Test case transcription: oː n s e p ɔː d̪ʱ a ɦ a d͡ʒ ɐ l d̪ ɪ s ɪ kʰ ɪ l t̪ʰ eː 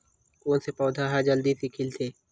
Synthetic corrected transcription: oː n s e p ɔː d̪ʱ a ɦ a d͡ʒ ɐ l d̪ i s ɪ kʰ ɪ l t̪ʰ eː